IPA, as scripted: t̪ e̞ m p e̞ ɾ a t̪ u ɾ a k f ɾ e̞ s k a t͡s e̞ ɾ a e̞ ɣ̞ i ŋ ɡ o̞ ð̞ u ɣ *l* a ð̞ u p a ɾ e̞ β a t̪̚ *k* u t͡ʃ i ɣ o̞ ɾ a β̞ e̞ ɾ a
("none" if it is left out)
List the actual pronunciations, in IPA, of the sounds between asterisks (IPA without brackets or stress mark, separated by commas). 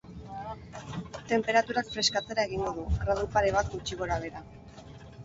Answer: ɾ, ɡ